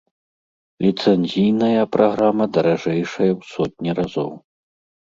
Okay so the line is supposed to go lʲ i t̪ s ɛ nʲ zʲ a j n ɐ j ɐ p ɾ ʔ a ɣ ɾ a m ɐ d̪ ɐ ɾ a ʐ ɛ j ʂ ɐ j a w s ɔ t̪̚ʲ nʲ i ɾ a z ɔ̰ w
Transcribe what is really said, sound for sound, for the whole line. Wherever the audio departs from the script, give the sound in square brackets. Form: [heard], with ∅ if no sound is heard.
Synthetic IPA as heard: lʲ i t̪ s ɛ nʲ zʲ [i] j n ɐ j ɐ p ɾ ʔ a ɣ ɾ a m ɐ d̪ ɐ ɾ a ʐ ɛ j ʂ ɐ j [ɐ] w s ɔ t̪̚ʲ nʲ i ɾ a z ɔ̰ w